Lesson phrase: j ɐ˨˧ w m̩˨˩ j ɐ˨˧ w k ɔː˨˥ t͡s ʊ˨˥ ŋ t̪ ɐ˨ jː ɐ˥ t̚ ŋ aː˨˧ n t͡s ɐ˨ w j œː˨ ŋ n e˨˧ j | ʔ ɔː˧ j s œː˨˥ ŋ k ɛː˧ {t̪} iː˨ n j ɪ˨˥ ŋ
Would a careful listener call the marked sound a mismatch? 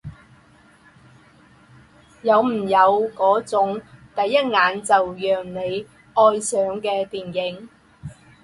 no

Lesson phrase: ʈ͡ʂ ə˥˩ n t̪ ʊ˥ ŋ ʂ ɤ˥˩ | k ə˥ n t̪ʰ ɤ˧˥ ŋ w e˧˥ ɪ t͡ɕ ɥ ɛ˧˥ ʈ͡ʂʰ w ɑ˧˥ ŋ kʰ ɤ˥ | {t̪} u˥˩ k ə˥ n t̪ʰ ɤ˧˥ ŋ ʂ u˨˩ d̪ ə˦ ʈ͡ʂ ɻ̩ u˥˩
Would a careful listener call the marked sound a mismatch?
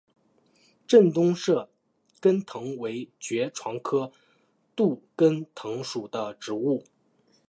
no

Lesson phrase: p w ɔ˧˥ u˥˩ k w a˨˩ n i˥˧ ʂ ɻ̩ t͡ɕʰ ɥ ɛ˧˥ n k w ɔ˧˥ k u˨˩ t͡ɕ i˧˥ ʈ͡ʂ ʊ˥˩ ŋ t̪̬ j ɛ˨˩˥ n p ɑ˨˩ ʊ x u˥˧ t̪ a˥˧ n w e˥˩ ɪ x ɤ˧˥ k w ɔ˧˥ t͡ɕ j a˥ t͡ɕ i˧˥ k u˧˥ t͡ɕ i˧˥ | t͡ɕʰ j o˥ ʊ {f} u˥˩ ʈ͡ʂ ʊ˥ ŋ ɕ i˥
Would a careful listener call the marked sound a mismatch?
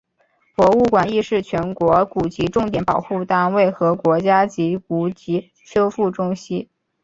no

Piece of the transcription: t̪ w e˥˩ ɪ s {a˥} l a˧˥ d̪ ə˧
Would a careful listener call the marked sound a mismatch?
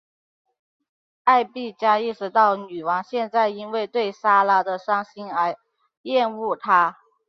no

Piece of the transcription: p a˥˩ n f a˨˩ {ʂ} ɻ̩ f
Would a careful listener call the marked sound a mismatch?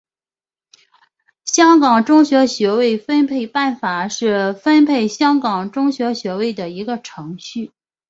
no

